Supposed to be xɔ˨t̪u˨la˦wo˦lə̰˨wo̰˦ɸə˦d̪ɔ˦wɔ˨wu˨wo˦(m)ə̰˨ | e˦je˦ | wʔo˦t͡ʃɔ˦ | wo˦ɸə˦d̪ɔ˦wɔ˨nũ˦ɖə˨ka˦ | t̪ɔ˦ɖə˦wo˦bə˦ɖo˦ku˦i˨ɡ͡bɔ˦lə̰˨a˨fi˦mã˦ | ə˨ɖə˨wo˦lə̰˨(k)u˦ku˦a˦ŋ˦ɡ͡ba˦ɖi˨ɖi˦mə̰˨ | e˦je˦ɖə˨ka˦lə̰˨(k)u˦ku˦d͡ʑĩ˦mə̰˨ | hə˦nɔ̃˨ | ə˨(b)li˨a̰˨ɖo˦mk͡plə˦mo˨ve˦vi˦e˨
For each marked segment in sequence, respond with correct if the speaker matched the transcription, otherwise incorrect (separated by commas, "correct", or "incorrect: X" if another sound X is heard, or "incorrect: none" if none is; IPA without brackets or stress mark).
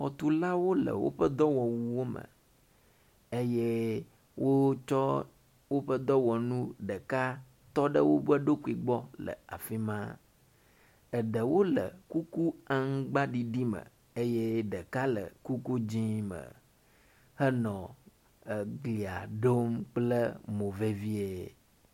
correct, correct, correct, incorrect: ɡ